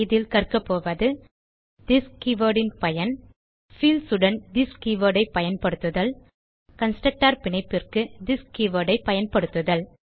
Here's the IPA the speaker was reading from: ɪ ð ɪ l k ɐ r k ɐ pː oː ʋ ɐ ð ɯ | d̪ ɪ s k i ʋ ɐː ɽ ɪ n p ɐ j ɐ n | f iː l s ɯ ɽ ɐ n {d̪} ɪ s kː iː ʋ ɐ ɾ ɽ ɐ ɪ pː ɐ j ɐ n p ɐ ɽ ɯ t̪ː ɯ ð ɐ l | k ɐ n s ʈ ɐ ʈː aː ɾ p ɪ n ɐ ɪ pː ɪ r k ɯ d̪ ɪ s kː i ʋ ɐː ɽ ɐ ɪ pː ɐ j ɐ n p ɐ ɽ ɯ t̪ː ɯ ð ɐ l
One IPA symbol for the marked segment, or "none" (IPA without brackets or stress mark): d̪